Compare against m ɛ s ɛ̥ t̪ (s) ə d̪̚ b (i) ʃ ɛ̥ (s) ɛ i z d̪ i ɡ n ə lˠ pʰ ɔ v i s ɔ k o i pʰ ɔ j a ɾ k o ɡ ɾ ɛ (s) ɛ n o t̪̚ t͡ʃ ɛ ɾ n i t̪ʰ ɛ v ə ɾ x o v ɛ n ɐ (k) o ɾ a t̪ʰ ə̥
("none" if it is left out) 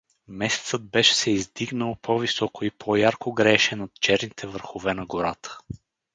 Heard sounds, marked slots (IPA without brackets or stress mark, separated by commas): s, ɛ, s, ʃ, ɡ